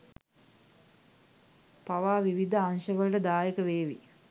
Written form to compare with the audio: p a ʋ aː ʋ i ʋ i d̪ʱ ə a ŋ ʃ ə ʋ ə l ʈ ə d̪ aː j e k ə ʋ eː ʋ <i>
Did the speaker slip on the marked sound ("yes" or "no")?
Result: no